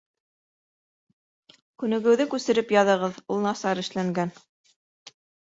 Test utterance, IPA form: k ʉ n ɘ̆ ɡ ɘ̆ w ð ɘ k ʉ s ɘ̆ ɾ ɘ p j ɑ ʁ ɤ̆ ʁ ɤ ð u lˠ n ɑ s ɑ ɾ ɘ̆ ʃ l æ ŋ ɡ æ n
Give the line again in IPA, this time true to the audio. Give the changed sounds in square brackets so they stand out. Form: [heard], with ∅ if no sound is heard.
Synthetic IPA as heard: k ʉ n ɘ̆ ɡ ɘ̆ w ð ɘ k ʉ s ɘ̆ ɾ ɘ p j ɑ [ð] ɤ̆ ʁ ɤ ð u lˠ n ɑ s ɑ ɾ ɘ̆ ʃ l æ ŋ ɡ æ n